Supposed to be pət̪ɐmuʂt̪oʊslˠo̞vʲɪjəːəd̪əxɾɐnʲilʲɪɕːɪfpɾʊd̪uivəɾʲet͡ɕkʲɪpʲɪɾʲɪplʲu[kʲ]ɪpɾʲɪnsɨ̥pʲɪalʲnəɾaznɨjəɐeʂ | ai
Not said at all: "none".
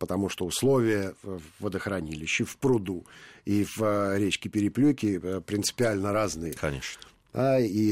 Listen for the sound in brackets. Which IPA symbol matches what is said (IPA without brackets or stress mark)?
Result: kʲ